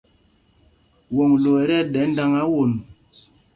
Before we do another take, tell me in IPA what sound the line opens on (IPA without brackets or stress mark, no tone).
w